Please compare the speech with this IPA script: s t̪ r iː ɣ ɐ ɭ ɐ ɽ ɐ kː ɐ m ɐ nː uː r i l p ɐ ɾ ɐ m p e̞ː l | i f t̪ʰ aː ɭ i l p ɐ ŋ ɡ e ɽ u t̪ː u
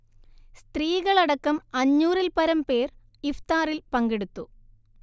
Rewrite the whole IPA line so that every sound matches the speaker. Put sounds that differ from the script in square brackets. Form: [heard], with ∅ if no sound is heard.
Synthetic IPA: s t̪ r iː ɣ ɐ ɭ ɐ ɽ ɐ kː ɐ m ɐ [ɲː] uː r i l p ɐ ɾ ɐ m p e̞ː [r] | i f [t̪] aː [r] i l p ɐ ŋ ɡ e ɽ u t̪ː u